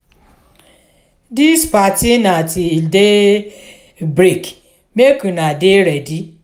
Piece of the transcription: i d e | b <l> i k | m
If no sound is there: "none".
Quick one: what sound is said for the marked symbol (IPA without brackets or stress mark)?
ɾ